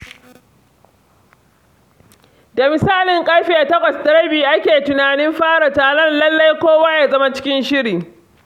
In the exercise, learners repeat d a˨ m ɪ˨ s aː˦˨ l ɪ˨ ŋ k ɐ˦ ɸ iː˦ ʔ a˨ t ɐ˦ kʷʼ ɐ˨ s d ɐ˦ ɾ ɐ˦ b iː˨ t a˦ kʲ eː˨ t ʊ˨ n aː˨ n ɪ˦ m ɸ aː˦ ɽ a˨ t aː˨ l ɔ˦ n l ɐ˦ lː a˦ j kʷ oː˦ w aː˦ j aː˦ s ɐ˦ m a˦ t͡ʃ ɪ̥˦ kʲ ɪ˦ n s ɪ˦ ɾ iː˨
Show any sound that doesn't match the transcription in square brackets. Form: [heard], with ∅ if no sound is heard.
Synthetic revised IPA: d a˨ m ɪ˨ s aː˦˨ l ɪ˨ ŋ [kʼ] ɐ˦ ɸ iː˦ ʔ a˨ t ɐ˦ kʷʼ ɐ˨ s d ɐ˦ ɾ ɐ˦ b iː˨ [ʔ] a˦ kʲ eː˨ t ʊ˨ n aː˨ n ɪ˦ m ɸ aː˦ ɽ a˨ t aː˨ l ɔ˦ n l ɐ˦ lː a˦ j kʷ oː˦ w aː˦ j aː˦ [z] ɐ˦ m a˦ t͡ʃ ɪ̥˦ kʲ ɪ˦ n [ʃ] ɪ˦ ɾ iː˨